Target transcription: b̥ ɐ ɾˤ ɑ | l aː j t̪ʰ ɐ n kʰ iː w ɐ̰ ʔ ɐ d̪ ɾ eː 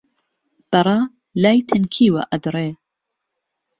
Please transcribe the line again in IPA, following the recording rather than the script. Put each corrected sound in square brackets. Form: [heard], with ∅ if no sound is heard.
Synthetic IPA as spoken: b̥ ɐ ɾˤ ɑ | l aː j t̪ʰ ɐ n kʰ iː w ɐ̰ ʔ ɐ d̪ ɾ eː